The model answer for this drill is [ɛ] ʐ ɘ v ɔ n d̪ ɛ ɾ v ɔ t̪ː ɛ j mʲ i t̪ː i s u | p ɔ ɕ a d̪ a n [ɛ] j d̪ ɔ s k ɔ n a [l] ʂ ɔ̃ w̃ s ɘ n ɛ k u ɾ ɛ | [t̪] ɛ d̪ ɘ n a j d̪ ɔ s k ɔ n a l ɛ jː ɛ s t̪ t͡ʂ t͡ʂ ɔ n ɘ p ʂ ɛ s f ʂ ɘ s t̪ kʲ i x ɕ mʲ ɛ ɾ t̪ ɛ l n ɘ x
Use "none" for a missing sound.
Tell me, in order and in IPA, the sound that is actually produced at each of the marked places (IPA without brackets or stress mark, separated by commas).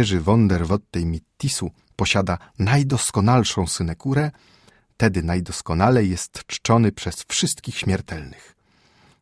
ɛ, a, l, t̪